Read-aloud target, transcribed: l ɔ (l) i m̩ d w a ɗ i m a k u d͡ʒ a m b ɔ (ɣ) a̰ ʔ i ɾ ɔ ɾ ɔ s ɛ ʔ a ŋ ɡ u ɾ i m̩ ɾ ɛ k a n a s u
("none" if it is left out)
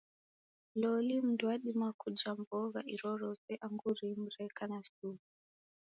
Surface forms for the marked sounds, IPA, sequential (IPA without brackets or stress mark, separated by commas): l, ɣ